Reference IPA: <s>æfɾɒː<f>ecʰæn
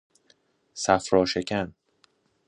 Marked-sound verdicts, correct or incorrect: correct, incorrect

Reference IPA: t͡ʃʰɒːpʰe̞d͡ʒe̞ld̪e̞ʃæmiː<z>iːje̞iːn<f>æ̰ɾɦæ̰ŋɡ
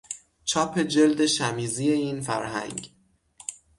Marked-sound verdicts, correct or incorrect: correct, correct

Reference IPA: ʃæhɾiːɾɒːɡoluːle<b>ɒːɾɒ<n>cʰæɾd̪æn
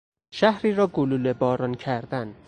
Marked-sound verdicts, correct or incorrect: correct, correct

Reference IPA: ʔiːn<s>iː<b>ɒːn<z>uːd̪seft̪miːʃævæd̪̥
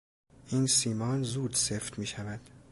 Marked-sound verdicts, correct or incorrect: correct, incorrect, correct

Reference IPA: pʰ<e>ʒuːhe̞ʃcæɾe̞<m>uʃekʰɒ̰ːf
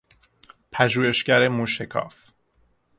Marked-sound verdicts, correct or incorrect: incorrect, correct

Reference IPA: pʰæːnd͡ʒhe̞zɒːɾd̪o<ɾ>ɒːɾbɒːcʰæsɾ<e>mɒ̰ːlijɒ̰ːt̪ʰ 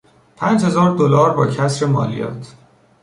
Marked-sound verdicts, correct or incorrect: incorrect, correct

